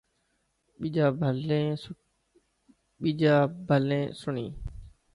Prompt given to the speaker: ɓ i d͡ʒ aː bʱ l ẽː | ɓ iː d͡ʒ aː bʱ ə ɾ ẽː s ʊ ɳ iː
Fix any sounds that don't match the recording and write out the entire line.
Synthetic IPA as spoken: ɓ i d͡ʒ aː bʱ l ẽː | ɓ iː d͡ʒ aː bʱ ə l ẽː s ʊ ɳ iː

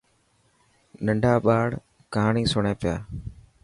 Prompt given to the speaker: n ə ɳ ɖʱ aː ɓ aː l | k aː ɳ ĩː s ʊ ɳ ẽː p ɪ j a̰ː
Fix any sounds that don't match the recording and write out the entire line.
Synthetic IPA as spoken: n ə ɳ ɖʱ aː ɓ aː ɽ | k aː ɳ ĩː s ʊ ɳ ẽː p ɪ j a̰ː

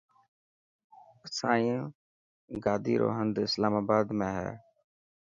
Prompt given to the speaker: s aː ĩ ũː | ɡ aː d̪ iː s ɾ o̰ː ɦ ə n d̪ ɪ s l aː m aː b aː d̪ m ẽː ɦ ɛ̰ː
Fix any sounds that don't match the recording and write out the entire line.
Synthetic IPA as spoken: s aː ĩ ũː | ɡ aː d̪ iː ɾ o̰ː ɦ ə n d̪ ɪ s l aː m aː b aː d̪ m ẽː ɦ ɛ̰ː

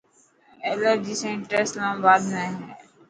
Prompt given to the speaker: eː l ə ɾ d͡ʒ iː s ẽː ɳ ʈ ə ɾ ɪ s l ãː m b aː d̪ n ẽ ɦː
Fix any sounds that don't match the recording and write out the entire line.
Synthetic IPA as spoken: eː l ə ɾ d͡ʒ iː s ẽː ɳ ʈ ə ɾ ɪ s l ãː m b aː d̪ n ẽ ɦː

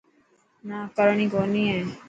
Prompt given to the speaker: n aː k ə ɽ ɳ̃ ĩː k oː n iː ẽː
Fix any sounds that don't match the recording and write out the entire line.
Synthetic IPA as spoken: n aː k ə ɾ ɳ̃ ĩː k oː n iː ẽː

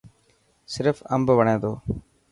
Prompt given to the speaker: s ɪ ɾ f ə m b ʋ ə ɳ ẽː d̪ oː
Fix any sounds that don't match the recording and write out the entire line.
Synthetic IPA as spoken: s ɪ ɾ f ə m b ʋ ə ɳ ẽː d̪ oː

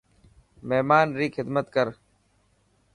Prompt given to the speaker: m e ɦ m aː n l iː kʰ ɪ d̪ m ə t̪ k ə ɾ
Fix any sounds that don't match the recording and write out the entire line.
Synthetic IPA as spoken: m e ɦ m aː n ɾ iː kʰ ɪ d̪ m ə t̪ k ə ɾ

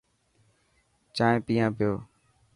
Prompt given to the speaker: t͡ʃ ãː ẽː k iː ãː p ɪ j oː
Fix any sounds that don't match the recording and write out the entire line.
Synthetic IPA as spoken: t͡ʃ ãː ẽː p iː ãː p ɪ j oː

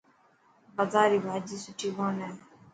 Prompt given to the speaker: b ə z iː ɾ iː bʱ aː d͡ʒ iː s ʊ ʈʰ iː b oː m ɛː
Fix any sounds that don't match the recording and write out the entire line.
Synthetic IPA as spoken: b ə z aː ɾ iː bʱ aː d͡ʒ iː s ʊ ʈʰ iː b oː n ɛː

